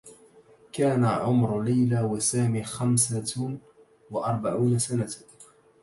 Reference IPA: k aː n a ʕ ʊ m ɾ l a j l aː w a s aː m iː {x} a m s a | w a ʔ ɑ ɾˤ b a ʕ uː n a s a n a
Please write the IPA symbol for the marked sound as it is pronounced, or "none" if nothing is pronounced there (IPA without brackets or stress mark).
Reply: x